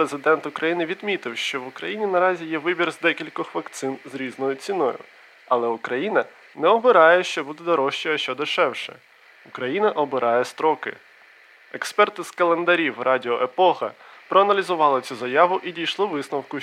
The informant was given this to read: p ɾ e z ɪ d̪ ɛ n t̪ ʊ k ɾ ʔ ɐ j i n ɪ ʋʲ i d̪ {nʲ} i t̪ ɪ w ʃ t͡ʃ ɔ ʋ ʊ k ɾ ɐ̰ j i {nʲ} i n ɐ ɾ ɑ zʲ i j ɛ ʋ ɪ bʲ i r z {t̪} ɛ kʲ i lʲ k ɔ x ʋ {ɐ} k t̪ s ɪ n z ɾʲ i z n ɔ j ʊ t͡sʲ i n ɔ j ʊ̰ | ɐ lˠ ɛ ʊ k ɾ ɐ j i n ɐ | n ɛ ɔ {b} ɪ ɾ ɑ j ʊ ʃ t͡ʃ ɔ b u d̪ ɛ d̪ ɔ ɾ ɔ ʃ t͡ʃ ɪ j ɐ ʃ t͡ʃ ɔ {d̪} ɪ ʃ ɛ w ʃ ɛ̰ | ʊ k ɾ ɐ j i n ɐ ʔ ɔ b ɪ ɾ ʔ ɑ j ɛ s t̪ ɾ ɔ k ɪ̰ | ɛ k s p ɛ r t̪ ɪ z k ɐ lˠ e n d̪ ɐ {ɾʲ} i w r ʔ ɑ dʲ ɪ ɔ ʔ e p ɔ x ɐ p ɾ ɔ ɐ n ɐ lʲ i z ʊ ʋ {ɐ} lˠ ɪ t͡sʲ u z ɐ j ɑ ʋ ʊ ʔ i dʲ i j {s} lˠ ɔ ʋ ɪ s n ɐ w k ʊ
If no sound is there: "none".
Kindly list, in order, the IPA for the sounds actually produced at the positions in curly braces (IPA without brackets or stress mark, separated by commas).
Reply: mʲ, nʲ, d̪, ɐ, b, d̪, ɾʲ, ɑ, ʃ